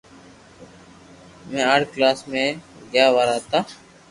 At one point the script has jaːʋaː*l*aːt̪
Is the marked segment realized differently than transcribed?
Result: yes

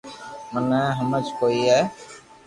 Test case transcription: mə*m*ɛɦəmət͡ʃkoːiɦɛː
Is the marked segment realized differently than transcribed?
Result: yes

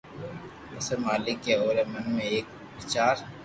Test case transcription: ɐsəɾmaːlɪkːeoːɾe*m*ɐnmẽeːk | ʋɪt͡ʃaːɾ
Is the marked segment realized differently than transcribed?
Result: no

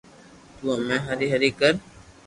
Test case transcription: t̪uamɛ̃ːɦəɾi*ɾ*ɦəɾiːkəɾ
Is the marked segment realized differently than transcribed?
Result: yes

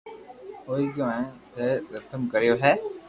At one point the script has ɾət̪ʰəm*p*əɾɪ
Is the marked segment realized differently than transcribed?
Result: yes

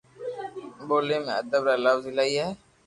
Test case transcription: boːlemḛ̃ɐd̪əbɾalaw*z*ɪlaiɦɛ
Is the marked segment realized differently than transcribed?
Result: no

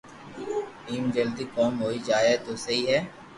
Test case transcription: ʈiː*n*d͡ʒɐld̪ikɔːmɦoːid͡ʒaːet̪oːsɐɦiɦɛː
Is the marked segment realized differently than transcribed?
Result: yes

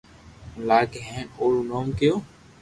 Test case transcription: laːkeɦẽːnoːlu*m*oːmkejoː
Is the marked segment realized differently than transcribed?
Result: yes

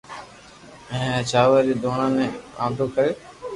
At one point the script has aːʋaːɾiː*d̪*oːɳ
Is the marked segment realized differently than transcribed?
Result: no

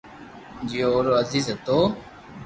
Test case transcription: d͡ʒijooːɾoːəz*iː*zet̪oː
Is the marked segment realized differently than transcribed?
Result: no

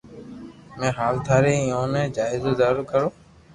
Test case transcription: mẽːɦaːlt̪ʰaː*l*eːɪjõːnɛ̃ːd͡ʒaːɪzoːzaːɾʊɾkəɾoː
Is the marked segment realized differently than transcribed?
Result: yes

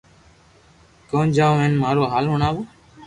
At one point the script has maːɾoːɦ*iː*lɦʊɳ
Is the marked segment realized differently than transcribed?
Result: yes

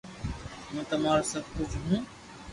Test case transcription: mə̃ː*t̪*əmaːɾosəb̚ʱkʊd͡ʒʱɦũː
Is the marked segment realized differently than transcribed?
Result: no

